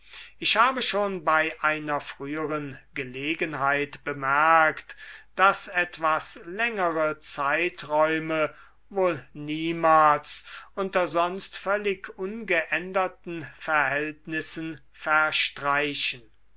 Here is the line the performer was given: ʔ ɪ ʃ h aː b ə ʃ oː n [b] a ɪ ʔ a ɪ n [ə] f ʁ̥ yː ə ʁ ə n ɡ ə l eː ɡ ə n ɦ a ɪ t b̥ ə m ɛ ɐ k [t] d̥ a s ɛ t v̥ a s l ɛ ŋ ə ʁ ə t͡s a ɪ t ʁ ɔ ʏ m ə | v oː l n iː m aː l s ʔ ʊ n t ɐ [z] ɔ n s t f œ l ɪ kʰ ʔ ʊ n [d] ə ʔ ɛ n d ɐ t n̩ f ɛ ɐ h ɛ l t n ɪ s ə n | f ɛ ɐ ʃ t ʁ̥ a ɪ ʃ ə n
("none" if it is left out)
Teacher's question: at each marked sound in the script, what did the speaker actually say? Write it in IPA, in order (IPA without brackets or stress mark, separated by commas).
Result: b, ɐ, t, z, ɡ